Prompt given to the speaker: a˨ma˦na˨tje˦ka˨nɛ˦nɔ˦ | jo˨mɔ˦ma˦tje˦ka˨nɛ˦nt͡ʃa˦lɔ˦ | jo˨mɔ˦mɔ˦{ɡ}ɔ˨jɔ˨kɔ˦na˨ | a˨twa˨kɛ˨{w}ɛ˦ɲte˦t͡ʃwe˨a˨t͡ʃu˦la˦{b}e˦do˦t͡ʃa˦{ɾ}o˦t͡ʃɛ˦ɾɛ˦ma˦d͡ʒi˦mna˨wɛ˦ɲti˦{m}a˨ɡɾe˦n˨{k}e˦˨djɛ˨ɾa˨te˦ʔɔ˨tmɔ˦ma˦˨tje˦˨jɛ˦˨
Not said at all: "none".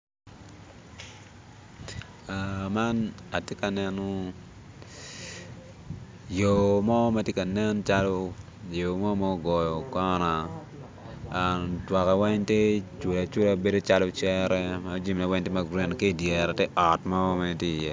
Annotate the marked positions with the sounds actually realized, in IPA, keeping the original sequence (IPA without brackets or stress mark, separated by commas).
ɡ, w, b, l, m, k